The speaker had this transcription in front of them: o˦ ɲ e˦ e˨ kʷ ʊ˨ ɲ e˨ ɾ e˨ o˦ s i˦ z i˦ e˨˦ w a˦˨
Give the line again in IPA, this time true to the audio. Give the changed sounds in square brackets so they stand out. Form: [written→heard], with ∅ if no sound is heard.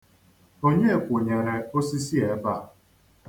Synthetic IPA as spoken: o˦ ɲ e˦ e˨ kʷ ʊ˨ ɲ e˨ ɾ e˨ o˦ s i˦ [z→s] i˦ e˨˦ [w→b] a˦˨